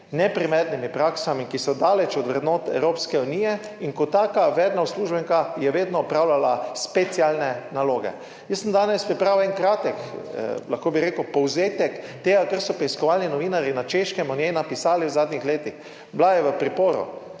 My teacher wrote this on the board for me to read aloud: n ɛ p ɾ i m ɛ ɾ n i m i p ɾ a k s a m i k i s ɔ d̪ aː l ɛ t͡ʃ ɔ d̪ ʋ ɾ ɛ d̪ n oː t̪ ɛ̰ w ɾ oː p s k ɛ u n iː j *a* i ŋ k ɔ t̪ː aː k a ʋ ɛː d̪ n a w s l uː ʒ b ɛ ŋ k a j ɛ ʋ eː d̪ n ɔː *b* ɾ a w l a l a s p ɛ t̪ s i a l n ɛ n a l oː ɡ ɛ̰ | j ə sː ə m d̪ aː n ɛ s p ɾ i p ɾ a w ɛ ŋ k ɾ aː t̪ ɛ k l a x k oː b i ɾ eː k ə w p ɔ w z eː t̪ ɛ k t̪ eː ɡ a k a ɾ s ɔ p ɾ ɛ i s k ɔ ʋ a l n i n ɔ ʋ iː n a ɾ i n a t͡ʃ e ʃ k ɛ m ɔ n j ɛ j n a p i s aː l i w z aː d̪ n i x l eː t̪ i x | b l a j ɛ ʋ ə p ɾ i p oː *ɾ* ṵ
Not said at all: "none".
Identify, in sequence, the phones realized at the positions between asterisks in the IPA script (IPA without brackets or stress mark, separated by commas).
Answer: ɛ, p, ɾ